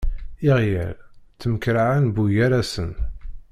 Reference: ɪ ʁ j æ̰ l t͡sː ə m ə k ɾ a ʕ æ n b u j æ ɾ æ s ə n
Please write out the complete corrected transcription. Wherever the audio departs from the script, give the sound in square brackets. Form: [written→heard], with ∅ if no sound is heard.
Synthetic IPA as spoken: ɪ ʁ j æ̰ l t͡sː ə m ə k ɾ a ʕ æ n b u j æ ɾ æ s ə n